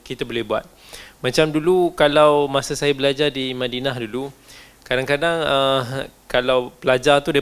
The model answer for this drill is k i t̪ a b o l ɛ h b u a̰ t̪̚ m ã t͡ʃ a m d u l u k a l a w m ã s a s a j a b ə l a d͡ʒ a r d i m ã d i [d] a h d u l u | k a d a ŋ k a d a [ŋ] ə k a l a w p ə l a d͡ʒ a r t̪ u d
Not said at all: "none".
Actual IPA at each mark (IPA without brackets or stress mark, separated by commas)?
n, ŋ